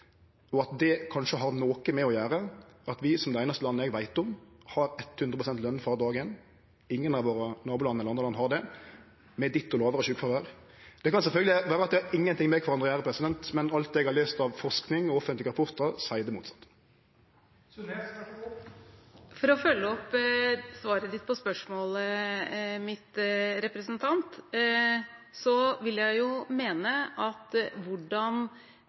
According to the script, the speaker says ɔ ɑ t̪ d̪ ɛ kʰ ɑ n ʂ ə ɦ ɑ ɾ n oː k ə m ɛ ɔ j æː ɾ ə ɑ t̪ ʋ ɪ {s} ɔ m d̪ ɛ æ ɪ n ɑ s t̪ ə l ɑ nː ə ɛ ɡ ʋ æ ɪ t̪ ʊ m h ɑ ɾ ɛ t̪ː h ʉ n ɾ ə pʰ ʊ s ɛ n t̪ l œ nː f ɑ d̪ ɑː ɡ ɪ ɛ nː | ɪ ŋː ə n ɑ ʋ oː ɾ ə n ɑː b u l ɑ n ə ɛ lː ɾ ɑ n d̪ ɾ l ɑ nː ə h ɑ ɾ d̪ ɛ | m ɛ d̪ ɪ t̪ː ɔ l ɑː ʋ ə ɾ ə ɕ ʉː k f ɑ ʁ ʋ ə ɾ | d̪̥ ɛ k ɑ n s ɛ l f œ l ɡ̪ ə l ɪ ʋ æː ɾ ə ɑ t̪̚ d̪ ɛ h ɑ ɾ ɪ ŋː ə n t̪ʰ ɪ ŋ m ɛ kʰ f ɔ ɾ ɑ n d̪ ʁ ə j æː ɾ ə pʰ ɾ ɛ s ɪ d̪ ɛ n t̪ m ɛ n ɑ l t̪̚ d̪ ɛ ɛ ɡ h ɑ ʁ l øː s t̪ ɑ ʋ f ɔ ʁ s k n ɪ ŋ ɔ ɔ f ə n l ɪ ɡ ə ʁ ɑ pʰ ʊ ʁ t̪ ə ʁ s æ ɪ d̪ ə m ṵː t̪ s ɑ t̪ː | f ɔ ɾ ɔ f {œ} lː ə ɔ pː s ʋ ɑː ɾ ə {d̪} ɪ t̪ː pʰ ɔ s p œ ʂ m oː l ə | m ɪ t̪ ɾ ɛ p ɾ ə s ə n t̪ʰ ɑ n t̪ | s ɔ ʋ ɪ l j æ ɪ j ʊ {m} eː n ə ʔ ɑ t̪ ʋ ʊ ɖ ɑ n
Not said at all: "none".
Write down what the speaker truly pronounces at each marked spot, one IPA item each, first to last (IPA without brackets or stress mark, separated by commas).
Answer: s, œ, d̪, m